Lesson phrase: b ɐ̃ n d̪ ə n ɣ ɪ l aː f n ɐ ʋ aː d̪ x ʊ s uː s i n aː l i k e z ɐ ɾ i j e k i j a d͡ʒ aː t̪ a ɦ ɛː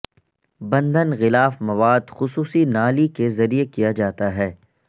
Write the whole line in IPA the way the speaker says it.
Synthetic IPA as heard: b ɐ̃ n d̪ ə n ɣ ɪ l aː f m ɐ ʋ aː d̪ x ʊ s uː s i n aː l i k e z ɐ ɾ i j e k i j a d͡ʒ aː t̪ a ɦ ɛː